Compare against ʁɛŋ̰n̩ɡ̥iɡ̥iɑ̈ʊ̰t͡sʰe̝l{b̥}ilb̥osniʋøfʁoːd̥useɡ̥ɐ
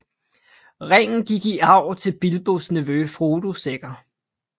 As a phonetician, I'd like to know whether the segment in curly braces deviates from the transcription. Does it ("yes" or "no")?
no